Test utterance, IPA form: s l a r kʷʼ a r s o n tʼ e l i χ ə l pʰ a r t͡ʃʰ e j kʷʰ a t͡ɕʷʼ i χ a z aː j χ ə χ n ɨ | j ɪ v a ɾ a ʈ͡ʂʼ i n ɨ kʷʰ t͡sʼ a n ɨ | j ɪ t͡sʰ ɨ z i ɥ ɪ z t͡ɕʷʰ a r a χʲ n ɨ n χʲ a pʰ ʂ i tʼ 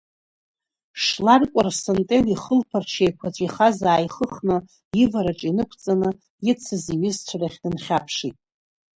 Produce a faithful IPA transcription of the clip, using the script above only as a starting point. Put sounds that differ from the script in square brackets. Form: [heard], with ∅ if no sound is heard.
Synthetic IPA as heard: [ʂ] l a r kʷʼ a r s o n tʼ e l i χ ə l pʰ a r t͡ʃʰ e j kʷʰ a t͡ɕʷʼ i χ a z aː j χ ə χ n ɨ | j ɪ v a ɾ a ʈ͡ʂʼ i n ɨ kʷʰ t͡sʼ a n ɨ | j ɪ t͡sʰ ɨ z i ɥ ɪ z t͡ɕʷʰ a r a χʲ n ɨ n χʲ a pʰ ʂ i tʼ